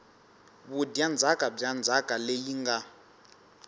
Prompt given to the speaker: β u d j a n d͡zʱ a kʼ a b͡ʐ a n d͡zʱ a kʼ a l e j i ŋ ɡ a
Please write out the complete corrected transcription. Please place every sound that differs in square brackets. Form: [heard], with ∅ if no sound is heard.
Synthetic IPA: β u d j a n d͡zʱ a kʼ a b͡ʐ a n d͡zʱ a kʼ a l e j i ŋ ɡ a